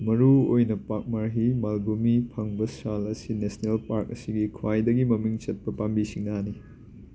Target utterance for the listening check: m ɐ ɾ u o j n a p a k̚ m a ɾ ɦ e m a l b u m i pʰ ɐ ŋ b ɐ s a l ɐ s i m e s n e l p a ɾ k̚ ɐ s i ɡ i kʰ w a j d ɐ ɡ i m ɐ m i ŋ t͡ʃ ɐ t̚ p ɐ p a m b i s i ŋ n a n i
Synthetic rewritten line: m ɐ ɾ u o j n ɐ p a k̚ m a ɾ ɦ i m a l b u m i pʰ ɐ ŋ b ɐ s a l ɐ s i n e s n e l p a ɾ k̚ ɐ s i ɡ i kʰ w a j d ɐ ɡ i m ɐ m i ŋ t͡ʃ ɐ t̚ p ɐ p a m b i s i ŋ n a n i